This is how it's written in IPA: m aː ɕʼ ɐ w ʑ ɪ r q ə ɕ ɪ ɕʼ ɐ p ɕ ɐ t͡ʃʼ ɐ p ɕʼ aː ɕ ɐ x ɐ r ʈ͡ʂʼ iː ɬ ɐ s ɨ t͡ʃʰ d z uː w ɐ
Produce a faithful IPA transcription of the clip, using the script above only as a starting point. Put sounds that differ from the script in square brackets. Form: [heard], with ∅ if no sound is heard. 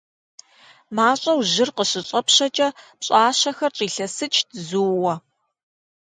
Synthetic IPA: m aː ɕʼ ɐ w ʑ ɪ r q ə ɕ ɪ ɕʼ ɐ p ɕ ɐ t͡ʃʼ ɐ p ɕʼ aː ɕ ɐ x ɐ r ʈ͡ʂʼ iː ɬ ɐ s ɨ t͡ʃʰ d z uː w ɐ

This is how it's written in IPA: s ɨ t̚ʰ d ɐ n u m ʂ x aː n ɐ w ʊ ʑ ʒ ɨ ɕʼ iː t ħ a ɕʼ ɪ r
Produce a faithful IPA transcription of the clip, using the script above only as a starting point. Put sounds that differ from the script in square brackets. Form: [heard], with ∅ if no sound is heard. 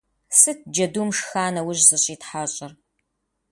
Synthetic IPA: s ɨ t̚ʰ [d͡ʒ] ɐ [d] u m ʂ x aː n ɐ w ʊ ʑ [z] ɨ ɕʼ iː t ħ a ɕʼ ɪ r

